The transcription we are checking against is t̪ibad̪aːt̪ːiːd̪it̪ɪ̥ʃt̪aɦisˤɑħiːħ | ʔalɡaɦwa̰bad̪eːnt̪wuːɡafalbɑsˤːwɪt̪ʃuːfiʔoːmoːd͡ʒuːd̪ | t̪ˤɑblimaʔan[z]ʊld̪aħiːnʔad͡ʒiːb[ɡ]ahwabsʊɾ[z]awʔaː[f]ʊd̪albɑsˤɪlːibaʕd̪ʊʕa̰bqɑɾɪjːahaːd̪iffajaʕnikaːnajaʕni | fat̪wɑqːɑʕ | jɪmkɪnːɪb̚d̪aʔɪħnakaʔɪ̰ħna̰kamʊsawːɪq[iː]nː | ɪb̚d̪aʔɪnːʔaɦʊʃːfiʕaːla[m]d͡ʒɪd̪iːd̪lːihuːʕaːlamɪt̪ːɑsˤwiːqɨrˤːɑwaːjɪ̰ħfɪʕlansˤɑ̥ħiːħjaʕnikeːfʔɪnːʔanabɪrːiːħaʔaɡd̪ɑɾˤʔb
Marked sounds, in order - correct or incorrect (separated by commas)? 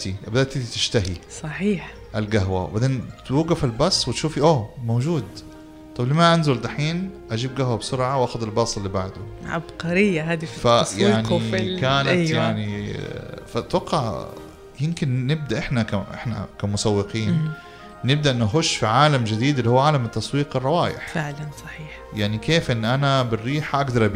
correct, correct, incorrect, incorrect, correct, correct